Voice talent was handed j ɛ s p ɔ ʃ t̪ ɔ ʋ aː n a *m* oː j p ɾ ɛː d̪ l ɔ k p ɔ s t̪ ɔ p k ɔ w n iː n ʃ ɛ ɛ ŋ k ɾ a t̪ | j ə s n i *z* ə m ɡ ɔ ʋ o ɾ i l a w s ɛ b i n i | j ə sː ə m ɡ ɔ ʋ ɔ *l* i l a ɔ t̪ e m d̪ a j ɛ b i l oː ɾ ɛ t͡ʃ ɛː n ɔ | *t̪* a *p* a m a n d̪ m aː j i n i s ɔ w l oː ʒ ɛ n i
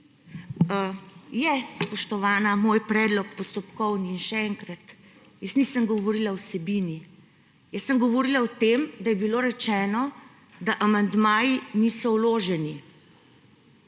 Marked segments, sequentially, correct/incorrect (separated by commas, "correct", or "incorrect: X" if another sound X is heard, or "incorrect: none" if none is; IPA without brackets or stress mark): correct, incorrect: s, incorrect: ɾ, incorrect: d̪, incorrect: ʔ